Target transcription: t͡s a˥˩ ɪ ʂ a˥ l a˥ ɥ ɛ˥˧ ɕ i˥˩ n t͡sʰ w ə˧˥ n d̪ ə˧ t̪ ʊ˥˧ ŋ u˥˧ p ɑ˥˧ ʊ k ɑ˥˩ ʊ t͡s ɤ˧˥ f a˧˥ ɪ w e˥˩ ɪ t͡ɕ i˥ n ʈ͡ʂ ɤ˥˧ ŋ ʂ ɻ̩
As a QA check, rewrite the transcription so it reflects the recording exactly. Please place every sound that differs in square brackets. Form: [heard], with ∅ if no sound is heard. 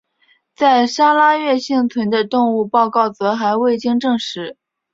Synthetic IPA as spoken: t͡s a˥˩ ɪ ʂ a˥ l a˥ ɥ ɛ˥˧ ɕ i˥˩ [ŋ] t͡sʰ w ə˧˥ n d̪ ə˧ t̪ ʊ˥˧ ŋ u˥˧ p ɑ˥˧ ʊ k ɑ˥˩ ʊ t͡s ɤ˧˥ [x] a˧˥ ɪ w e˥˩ ɪ t͡ɕ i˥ [ŋ] ʈ͡ʂ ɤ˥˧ ŋ ʂ ɻ̩